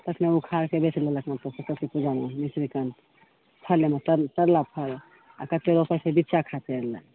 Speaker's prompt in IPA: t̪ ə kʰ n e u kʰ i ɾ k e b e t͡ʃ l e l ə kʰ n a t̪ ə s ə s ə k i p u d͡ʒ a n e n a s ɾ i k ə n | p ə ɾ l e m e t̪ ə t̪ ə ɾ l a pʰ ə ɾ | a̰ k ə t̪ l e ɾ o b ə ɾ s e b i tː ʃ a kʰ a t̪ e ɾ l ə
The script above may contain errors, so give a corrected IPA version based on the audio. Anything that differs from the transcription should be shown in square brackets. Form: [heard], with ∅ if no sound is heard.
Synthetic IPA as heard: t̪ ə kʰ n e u kʰ [a] ɾ k e b e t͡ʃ l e l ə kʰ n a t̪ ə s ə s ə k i p u d͡ʒ a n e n [i] s ɾ i k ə n | [pʰ] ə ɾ l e m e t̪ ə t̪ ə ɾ l a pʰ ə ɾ | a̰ k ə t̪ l e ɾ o [p] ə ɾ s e b i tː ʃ a kʰ a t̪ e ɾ l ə